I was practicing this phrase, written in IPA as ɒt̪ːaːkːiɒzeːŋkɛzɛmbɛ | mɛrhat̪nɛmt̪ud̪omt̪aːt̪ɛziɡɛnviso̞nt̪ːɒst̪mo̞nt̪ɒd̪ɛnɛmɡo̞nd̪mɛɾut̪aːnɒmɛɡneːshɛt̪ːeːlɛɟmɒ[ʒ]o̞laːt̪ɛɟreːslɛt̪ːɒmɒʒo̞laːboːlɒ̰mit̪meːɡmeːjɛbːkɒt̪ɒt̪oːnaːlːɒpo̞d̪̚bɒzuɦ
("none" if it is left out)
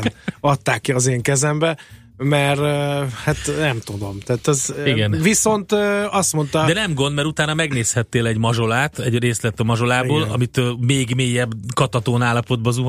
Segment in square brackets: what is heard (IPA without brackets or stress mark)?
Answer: ʒ